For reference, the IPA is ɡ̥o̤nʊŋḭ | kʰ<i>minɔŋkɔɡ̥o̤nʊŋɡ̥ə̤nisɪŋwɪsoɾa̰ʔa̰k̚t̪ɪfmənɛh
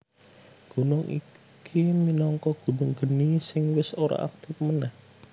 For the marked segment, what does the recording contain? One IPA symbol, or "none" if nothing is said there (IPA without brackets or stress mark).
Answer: i